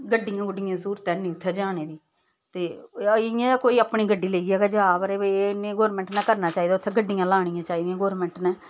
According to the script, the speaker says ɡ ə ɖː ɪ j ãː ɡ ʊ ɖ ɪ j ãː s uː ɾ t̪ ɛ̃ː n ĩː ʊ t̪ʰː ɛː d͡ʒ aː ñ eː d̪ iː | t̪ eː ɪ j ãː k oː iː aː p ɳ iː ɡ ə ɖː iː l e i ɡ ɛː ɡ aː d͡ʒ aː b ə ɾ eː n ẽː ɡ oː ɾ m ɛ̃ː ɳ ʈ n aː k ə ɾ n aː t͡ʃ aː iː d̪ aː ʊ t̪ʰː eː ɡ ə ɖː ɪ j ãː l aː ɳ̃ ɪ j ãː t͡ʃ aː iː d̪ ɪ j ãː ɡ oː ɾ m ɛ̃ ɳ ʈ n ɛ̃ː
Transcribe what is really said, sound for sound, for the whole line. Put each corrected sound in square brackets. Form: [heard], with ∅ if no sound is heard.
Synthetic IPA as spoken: ɡ ə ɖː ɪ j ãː ɡ ʊ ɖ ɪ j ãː s uː ɾ t̪ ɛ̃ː n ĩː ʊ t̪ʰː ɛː d͡ʒ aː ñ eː d̪ iː | t̪ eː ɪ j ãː k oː iː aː p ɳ iː ɡ ə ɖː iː l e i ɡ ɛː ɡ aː d͡ʒ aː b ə ɾ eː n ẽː ɡ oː ɾ m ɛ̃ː ɳ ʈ n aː k ə ɾ n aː t͡ʃ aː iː d̪ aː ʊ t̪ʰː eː ɡ ə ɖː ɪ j ãː l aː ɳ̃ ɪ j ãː t͡ʃ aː iː d̪ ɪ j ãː ɡ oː ɾ m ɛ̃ ɳ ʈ n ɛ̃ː